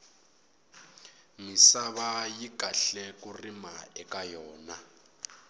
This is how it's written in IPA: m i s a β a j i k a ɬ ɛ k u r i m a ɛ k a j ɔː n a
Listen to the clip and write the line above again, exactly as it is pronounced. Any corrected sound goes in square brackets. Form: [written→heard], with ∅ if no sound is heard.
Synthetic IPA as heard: m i s a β a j i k a ɬ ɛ k u r i m a ɛ k a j ɔː n a